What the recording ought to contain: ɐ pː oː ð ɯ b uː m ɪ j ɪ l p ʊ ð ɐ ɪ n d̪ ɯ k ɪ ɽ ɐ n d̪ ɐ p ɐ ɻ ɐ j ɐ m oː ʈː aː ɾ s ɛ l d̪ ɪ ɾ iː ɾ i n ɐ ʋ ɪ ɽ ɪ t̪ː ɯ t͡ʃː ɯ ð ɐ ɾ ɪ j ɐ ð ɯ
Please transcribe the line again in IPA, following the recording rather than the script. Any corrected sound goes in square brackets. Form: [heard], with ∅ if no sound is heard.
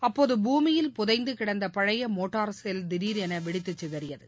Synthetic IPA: ɐ pː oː ð ɯ b uː m ɪ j ɪ l p ʊ ð ɐ ɪ n d̪ ɯ k ɪ ɽ ɐ n d̪ ɐ p ɐ ɻ ɐ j ɐ m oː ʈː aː ɾ s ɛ l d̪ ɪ ɾ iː ɾ [ɛ] n ɐ ʋ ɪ ɽ ɪ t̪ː ɯ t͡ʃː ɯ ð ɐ ɾ ɪ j ɐ ð ɯ

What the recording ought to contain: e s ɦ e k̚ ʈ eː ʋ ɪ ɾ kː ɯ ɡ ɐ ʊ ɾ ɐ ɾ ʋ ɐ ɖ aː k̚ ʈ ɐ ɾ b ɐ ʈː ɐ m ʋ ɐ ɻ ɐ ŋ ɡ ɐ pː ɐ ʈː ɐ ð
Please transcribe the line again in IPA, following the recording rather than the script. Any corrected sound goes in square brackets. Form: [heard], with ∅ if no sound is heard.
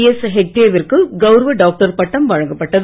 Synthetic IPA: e s ɦ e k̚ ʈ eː ʋ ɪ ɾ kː ɯ ɡ ɐ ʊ ɾ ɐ [∅] ʋ ɐ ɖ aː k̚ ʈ ɐ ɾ [p] ɐ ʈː ɐ m ʋ ɐ ɻ ɐ ŋ ɡ ɐ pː ɐ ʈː ɐ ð

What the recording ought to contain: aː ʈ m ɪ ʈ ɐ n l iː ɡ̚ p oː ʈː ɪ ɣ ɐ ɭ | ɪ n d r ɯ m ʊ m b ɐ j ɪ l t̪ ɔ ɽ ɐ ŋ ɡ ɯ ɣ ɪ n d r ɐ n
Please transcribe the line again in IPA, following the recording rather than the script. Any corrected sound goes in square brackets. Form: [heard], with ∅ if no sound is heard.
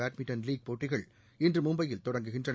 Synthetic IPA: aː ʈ m ɪ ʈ ɐ n l iː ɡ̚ p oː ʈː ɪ ɣ ɐ ɭ | ɪ n d r ɯ m ʊ m b ɐ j ɪ l t̪ ɔ ɽ ɐ ŋ ɡ ɯ ɣ ɪ n d r ɐ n

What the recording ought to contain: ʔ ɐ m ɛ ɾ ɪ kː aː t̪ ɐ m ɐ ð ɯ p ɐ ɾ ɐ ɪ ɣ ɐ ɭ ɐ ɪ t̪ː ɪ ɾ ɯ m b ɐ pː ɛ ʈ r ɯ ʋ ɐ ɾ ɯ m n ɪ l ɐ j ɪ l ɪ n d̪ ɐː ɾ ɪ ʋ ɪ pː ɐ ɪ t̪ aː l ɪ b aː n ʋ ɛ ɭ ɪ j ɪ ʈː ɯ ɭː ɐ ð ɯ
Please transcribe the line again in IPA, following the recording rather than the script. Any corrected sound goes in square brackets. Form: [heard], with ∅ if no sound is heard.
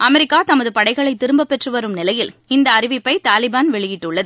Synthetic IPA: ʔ ɐ m ɛ ɾ ɪ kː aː t̪ ɐ m ɐ ð ɯ p ɐ [ɽ] ɐ ɪ ɣ ɐ ɭ ɐ ɪ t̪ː ɪ ɾ ɯ m b ɐ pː ɛ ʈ r ɯ ʋ ɐ ɾ ɯ m n ɪ l ɐ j ɪ l ɪ n d̪ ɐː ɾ ɪ ʋ ɪ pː ɐ ɪ t̪ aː l ɪ b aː n ʋ ɛ ɭ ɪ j ɪ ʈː ɯ ɭː ɐ ð ɯ

